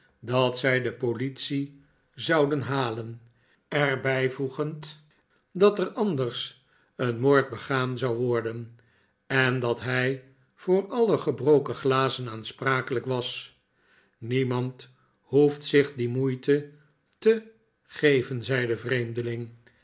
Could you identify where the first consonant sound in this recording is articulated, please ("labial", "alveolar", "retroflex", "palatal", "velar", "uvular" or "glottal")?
alveolar